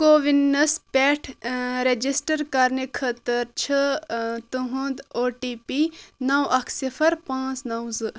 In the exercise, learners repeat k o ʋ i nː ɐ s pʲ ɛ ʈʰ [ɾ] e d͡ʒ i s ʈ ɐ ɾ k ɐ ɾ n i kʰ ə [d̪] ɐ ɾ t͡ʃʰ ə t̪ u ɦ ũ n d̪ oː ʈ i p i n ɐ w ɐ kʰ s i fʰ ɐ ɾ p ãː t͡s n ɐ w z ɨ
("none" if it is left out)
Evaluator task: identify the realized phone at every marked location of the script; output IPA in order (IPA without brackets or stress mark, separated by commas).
ɾ, t̪